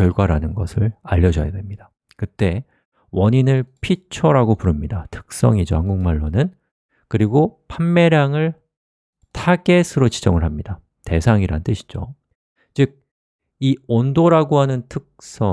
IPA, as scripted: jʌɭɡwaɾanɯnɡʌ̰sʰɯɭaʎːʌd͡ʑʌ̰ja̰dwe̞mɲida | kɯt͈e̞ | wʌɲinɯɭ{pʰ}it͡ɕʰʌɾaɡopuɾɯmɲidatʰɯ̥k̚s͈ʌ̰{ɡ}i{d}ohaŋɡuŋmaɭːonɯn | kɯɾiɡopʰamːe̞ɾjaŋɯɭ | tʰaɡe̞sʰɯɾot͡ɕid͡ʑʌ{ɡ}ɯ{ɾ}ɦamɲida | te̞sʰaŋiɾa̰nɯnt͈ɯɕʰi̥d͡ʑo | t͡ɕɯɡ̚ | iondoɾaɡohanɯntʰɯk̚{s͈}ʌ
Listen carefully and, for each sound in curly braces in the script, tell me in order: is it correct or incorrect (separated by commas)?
correct, incorrect, incorrect, incorrect, incorrect, correct